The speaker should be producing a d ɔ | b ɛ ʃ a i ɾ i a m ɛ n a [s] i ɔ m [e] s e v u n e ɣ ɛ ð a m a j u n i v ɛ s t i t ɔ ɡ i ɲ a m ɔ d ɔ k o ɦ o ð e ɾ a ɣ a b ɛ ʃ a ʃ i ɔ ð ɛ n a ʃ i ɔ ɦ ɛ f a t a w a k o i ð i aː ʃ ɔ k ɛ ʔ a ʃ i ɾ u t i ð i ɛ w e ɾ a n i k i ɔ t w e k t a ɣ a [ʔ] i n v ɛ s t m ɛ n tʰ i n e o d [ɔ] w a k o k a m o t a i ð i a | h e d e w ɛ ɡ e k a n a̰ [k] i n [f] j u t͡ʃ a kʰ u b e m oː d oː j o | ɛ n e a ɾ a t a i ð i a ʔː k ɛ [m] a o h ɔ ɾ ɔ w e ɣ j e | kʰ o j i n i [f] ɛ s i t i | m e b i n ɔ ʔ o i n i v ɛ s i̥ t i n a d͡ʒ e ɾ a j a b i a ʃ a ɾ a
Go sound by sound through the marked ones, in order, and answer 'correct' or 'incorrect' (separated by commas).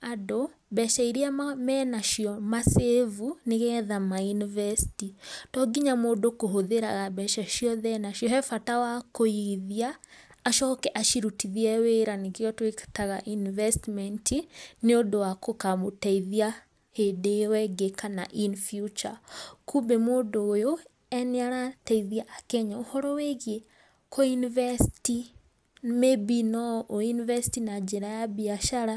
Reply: incorrect, incorrect, correct, incorrect, incorrect, correct, incorrect, incorrect